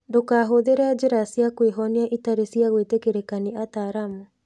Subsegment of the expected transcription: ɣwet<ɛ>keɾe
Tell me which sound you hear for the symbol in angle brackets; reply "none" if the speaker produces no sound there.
e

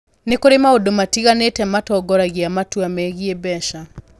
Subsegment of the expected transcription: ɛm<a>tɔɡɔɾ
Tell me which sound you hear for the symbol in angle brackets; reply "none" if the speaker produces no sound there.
a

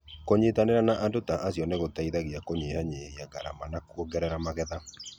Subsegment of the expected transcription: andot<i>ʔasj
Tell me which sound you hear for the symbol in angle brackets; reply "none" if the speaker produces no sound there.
a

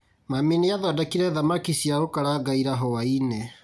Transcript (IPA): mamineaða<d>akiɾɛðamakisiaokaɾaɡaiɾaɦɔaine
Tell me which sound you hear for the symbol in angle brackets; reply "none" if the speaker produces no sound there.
d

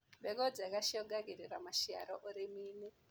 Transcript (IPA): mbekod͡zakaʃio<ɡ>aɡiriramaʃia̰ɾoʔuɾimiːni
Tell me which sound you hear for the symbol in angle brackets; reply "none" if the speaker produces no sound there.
ɡ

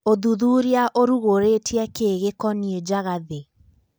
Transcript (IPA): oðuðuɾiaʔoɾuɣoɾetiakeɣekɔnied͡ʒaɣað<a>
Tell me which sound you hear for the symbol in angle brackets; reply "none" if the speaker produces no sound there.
e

